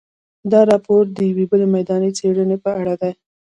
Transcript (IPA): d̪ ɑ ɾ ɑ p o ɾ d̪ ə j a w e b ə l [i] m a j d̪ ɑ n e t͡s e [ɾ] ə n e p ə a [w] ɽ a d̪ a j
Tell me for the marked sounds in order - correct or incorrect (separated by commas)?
incorrect, incorrect, incorrect